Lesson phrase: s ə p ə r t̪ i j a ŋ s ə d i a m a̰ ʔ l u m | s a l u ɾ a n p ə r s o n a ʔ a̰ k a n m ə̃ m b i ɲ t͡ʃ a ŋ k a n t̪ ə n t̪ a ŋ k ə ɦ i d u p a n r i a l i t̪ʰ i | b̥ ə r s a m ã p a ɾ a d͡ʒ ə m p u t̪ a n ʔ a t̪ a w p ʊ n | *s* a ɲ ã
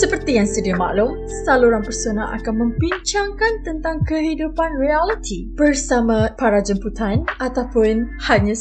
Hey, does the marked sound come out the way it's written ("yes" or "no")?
no